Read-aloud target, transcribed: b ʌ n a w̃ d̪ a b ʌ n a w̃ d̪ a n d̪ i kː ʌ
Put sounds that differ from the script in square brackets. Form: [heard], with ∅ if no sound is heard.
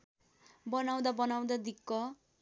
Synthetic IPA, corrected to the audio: b ʌ n a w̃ d̪ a b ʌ n a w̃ d̪ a [∅] d̪ i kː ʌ